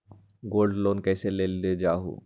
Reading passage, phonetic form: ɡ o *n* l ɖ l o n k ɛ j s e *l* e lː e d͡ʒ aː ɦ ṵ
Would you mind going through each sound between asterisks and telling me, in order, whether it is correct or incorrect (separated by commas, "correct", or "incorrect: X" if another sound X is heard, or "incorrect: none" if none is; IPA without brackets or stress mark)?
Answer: incorrect: none, correct